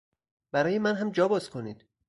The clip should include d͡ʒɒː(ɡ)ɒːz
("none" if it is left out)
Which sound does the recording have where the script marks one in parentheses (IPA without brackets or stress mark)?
b